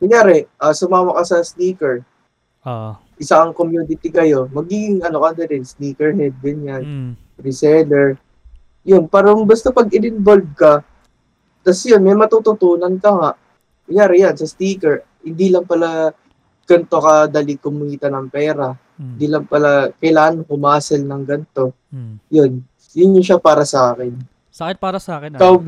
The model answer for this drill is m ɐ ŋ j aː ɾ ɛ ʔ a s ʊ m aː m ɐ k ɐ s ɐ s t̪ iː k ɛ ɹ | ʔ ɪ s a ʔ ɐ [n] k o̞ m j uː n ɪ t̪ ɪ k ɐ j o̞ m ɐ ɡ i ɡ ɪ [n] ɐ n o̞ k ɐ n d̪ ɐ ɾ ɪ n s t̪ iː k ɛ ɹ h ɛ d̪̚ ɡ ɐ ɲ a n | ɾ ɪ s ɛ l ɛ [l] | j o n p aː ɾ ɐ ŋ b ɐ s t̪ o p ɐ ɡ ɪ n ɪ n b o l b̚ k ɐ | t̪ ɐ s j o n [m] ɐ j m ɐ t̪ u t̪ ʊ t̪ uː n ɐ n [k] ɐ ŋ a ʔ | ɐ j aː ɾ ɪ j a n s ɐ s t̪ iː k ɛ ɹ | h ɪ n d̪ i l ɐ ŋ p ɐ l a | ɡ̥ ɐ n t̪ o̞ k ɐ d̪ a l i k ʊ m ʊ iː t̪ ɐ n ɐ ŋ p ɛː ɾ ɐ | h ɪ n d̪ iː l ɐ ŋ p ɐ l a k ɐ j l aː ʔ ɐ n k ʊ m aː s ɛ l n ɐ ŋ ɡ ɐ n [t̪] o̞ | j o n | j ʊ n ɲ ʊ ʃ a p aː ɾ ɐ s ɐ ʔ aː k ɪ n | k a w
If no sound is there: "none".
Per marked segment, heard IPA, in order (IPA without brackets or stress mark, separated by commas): ŋ, ŋ, ɹ, m, k, t̪